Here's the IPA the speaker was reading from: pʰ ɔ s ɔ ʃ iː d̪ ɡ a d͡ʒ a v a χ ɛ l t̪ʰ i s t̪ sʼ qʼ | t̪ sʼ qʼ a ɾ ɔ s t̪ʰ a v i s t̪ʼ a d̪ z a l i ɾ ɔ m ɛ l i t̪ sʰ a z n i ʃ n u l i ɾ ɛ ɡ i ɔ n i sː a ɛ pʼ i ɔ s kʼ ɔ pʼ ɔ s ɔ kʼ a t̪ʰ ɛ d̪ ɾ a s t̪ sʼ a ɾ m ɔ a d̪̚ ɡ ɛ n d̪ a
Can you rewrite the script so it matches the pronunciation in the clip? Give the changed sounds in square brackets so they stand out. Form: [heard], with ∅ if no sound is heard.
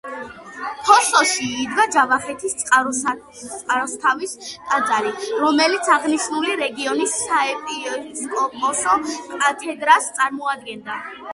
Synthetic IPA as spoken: pʰ ɔ s ɔ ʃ iː d̪ ɡ a d͡ʒ a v a χ ɛ [∅] t̪ʰ i s t̪ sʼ qʼ | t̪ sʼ qʼ a ɾ ɔ s t̪ʰ a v i s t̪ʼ a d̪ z a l i ɾ ɔ m ɛ l i t̪ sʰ a [ʁ] n i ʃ n u l i ɾ ɛ ɡ i ɔ n i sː a ɛ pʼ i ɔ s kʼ ɔ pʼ ɔ s ɔ kʼ a t̪ʰ ɛ d̪ ɾ a s t̪ sʼ a ɾ m ɔ a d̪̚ ɡ ɛ n d̪ a